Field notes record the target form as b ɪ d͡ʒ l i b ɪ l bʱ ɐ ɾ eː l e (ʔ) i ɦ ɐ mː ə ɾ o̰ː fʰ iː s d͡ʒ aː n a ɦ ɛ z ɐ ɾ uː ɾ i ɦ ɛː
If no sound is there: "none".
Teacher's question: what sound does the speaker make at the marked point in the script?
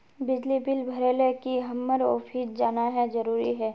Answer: k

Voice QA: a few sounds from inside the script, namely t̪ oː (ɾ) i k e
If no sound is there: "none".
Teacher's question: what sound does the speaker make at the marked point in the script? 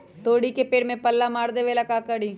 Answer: ɽ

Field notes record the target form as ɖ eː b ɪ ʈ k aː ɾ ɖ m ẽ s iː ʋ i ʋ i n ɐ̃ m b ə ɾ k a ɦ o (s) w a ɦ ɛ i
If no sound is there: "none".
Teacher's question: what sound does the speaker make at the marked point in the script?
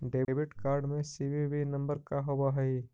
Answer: none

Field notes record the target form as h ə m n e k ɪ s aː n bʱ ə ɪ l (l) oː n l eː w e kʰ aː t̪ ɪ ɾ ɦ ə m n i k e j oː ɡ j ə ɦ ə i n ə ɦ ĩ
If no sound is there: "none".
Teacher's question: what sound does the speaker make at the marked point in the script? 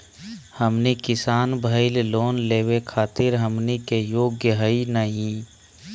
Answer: l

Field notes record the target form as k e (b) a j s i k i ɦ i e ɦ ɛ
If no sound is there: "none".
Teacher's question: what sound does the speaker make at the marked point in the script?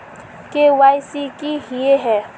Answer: w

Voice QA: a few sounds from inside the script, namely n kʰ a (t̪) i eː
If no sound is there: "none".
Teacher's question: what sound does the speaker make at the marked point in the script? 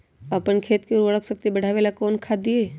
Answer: d̪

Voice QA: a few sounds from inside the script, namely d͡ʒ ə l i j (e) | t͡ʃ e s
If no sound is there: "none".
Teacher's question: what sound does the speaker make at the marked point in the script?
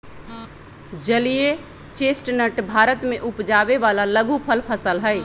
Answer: e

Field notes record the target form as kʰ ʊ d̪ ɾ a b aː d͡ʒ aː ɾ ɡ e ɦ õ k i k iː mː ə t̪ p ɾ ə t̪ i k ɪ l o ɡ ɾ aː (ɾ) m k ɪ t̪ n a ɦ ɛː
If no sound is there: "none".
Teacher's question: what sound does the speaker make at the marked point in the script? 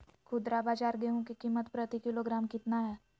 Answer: none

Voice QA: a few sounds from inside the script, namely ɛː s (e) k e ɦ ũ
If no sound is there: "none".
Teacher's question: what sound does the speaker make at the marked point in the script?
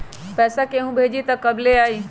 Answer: a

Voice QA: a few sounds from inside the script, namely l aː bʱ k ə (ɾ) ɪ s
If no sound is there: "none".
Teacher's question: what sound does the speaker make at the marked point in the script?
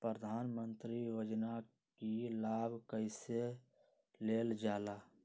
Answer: none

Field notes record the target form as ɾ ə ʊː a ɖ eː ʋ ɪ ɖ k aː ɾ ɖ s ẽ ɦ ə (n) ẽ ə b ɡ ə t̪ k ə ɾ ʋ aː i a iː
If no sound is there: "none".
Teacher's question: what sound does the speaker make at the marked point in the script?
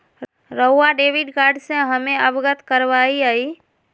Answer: m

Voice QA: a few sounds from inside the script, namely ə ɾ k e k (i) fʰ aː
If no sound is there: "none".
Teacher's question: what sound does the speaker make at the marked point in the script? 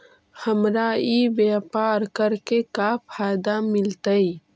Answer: a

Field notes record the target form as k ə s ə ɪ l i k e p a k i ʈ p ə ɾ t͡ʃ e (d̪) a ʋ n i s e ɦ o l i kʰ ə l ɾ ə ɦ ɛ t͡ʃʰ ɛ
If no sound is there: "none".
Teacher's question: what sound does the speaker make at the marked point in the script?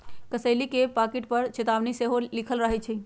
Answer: t̪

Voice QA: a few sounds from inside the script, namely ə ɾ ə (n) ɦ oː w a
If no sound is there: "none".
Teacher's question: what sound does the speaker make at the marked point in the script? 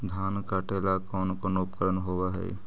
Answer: n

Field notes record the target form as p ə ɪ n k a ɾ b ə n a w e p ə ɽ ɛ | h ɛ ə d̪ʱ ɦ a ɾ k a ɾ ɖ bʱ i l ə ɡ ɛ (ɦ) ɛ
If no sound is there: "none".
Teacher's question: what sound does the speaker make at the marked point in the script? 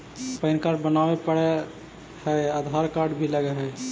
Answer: ɦ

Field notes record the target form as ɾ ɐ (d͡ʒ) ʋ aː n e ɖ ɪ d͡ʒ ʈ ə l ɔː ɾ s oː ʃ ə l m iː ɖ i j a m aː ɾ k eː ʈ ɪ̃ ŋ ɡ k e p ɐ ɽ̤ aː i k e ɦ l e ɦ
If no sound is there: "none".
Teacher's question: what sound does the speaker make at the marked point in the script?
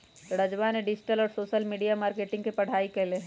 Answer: d͡ʒ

